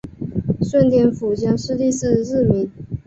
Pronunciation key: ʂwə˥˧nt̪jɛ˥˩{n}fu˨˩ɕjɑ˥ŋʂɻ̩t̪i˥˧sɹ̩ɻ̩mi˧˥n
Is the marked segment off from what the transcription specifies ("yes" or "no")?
no